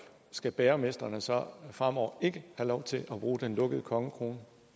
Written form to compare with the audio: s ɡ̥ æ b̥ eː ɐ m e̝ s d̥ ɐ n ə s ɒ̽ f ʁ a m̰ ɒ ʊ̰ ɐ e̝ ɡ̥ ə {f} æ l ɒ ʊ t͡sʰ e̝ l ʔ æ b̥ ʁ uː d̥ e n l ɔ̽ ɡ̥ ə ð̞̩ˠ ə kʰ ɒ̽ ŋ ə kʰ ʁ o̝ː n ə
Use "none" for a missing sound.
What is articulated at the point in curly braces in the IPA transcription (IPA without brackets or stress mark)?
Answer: h